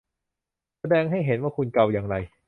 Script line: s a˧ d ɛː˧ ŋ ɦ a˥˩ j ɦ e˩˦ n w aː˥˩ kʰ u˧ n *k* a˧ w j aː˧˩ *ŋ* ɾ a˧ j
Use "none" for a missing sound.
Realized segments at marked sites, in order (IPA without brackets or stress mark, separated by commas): k, ŋ